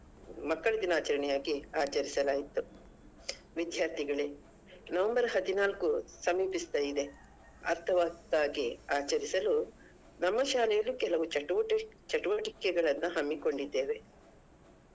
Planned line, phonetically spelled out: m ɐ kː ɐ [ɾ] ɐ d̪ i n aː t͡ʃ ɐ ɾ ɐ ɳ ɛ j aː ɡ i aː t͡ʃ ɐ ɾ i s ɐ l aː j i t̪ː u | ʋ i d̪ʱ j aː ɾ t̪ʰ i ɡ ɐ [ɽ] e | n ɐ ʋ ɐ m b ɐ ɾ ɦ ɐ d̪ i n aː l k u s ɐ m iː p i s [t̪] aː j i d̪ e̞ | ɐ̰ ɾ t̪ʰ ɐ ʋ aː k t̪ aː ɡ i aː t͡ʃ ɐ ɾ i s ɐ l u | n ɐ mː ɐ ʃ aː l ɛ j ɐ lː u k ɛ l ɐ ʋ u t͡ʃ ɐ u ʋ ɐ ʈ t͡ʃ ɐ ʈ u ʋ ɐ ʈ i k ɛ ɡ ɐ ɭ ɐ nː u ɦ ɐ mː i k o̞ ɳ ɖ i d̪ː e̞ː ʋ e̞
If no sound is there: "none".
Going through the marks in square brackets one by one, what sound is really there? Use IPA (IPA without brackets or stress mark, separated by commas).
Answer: ɭ, ɭ, t̪